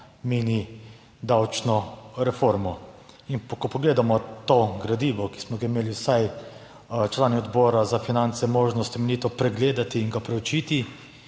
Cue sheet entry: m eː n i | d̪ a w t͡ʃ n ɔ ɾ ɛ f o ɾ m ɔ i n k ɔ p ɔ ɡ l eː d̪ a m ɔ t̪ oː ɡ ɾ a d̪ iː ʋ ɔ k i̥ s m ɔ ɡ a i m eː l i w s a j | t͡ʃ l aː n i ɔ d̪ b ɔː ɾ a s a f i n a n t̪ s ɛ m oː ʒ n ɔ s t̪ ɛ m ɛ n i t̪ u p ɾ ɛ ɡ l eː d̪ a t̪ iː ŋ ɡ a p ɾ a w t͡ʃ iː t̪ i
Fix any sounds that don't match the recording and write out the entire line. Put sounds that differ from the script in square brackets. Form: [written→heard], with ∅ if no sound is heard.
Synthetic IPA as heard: m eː n i | d̪ a w t͡ʃ n ɔ ɾ ɛ f o ɾ m ɔ i n k ɔ p ɔ ɡ l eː d̪ a m ɔ t̪ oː ɡ ɾ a d̪ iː ʋ ɔ k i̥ s m ɔ ɡ a i m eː l i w s a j | t͡ʃ l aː n i ɔ d̪ b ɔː ɾ a [s→z] a f i n a n t̪ s ɛ m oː ʒ n ɔ s t̪ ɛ m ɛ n i t̪ [u→ɔ] p ɾ ɛ ɡ l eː d̪ a t̪ iː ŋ ɡ a p ɾ [a→ɛ] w t͡ʃ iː t̪ i